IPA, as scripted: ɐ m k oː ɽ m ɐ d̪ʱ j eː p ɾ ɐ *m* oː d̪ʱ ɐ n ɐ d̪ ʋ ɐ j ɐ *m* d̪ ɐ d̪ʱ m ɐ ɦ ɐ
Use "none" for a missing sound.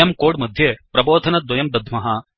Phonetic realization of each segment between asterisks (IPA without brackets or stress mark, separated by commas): b, m